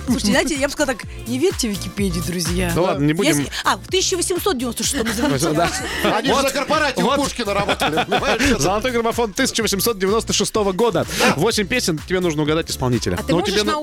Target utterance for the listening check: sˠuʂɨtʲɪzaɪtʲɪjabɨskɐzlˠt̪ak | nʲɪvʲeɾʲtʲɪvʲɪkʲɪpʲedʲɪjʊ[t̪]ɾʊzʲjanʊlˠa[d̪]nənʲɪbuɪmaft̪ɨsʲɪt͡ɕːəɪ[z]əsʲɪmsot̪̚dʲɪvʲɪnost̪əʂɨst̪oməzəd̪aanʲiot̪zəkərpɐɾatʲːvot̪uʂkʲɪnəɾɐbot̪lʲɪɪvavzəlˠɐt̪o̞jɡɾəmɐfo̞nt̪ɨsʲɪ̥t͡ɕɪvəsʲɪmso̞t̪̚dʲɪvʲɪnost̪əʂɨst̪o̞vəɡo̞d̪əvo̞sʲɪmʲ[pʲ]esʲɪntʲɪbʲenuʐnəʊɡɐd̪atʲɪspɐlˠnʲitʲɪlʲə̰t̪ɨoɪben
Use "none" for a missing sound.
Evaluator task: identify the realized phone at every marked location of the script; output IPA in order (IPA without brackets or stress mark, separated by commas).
d̪, d̪, v, pʲ